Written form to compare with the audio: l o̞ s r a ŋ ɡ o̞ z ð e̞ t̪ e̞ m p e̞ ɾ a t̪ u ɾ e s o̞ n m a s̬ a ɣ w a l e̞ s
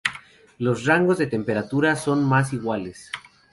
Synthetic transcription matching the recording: l o̞ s r a ŋ ɡ o̞ z ð e̞ t̪ e̞ m p e̞ ɾ a t̪ u ɾ a s o̞ n m a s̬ i ɣ w a l e̞ s